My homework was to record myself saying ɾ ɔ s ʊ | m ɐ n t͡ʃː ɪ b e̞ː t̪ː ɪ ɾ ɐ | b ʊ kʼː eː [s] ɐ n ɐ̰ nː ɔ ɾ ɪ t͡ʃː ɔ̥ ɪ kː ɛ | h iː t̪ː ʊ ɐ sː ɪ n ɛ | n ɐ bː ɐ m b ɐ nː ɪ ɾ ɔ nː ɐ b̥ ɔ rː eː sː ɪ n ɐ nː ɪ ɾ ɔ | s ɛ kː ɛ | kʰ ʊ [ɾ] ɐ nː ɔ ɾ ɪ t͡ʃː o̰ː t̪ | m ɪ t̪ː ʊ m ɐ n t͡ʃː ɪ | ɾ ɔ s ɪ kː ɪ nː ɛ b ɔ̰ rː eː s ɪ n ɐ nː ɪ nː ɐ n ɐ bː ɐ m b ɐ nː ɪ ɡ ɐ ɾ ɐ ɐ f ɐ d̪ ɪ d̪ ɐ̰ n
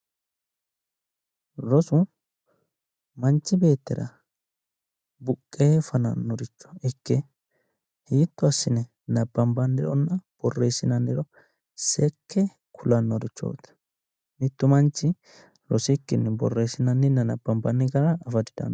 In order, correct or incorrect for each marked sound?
incorrect: f, incorrect: l

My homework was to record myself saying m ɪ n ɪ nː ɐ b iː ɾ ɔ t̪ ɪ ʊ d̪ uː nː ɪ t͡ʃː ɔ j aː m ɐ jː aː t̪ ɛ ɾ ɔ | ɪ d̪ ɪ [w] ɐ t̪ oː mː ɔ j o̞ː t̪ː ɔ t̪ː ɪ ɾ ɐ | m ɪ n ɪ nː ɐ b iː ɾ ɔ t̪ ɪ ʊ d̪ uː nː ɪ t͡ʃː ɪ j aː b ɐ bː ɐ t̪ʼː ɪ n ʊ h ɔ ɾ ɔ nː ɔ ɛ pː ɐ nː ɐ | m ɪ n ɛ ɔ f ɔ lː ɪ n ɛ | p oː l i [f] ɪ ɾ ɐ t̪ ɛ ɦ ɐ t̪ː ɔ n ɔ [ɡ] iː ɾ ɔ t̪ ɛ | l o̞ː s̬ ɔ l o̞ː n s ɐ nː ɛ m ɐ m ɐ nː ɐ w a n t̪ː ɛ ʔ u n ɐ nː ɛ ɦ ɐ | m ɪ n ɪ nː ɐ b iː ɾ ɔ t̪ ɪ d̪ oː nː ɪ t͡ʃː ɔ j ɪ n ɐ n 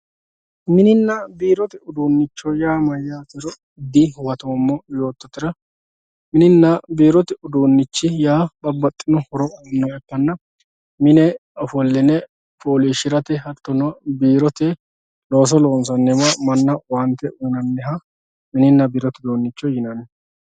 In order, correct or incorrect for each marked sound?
correct, incorrect: ʃ, incorrect: b

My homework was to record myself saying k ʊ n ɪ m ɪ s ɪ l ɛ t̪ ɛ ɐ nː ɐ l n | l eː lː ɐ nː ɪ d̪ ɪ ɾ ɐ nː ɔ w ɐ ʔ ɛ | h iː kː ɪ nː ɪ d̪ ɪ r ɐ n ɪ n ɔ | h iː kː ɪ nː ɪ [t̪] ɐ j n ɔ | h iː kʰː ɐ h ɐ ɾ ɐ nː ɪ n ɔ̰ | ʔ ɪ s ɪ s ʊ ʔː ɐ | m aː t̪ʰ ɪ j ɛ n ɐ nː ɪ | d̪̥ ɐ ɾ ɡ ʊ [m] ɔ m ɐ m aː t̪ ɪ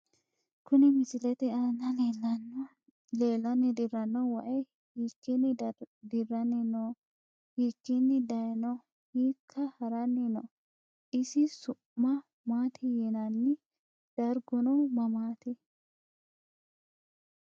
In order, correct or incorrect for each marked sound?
incorrect: d̪, incorrect: n

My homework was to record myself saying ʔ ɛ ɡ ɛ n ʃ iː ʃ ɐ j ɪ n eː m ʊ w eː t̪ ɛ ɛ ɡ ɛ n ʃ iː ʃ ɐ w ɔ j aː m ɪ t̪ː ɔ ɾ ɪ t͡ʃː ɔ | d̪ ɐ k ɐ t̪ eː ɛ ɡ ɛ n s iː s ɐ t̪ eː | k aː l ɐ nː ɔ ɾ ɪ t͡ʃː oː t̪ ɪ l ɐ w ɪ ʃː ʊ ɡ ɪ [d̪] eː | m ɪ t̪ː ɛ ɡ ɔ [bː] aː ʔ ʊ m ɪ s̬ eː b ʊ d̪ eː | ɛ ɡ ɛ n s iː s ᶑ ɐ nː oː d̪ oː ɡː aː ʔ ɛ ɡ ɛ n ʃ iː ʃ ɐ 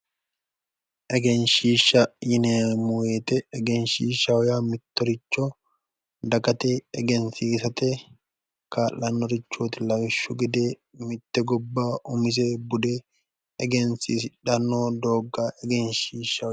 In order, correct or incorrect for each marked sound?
correct, correct

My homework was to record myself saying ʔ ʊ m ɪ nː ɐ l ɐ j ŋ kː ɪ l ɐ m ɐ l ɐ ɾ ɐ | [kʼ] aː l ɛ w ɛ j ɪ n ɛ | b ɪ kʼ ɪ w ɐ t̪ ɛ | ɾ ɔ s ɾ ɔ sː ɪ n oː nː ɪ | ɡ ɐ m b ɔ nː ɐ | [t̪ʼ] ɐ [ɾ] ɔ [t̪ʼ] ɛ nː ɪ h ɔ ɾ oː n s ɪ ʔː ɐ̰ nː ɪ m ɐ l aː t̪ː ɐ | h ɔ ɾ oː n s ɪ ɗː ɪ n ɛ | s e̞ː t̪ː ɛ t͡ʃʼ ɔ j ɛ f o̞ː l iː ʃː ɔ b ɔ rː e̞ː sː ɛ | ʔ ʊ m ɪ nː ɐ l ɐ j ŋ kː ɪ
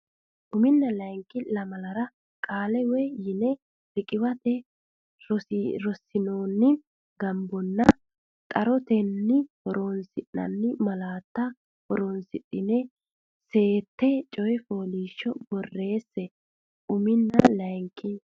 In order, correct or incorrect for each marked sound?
correct, correct, correct, incorrect: t̪

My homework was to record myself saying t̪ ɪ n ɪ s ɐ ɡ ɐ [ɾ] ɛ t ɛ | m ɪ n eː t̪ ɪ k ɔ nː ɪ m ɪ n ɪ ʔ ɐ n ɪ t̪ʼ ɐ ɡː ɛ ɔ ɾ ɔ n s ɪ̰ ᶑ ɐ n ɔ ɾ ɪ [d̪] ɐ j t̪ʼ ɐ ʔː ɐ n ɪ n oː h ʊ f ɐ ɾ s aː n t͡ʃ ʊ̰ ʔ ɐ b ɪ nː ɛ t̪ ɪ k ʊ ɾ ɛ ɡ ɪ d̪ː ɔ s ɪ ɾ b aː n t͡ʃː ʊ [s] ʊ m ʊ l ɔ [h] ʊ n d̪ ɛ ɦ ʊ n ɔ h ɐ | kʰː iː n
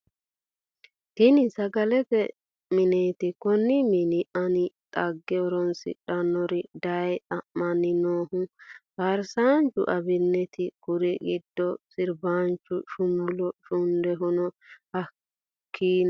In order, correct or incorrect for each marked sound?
incorrect: l, correct, incorrect: ʃ, incorrect: ʃ

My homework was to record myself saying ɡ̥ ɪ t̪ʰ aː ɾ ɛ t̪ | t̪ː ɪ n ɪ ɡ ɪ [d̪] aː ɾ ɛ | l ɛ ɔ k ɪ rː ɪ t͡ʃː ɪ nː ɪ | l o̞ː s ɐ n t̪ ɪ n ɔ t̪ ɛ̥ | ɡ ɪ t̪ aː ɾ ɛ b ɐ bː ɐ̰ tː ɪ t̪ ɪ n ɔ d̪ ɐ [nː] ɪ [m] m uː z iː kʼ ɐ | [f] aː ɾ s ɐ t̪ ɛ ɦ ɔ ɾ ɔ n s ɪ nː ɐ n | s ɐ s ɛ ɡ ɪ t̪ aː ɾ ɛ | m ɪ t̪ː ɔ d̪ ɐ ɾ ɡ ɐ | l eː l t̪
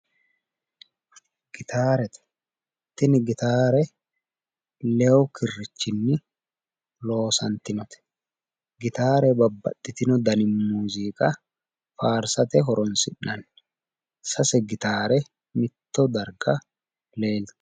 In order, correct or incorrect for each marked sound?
incorrect: t̪, incorrect: n, correct, correct

